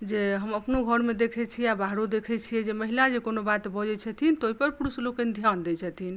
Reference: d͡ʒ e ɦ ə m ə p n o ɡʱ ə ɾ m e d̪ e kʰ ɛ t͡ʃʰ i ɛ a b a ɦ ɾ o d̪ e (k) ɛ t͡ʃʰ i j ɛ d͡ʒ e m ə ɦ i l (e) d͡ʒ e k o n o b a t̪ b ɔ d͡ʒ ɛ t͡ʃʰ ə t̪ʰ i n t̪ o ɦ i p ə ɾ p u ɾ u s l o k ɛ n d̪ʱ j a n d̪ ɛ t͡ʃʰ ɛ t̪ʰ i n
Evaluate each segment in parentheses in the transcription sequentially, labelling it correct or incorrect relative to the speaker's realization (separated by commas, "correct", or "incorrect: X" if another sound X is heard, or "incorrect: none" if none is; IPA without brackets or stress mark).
incorrect: kʰ, incorrect: a